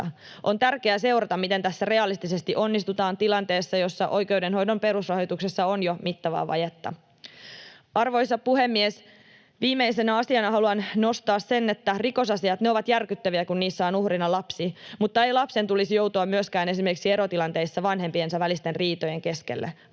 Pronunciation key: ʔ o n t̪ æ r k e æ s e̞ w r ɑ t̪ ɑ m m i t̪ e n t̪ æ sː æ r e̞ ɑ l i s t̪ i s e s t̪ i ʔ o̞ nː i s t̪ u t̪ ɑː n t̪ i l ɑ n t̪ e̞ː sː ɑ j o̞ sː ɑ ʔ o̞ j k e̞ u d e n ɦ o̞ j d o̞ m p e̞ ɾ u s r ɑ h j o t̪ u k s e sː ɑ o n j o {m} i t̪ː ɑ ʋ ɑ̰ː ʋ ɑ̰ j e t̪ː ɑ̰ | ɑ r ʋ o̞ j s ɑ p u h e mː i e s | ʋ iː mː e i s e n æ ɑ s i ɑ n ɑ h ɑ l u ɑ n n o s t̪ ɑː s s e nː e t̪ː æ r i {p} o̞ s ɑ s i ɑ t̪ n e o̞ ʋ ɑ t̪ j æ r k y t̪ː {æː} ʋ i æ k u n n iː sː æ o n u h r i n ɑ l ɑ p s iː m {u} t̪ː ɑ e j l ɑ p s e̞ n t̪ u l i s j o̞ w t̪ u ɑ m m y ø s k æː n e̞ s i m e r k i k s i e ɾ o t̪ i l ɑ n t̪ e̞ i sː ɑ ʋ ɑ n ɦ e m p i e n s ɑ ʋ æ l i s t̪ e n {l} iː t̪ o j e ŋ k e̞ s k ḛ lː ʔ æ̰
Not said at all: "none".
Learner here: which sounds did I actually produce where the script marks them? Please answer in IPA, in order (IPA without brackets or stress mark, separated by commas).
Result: m, k, æ, u, r